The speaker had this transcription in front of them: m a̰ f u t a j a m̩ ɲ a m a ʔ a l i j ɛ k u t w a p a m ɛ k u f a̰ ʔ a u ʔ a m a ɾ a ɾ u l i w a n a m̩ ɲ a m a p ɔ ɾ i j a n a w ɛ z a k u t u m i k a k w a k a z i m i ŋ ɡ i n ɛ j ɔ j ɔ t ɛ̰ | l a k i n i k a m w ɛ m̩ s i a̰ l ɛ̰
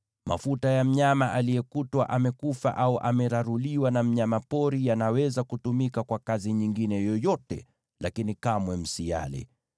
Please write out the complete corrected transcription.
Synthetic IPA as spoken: m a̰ f u t a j a m̩ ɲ a m a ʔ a l i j ɛ k u t w a ʔ a m ɛ k u f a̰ ʔ a u ʔ a m ɛ ɾ a ɾ u l i w a n a m̩ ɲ a m a p ɔ ɾ i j a n a w ɛ z a k u t u m i k a k w a k a z i ɲ i ŋ ɡ i n ɛ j ɔ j ɔ t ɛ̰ | l a k i n i k a m w ɛ m̩ s i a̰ l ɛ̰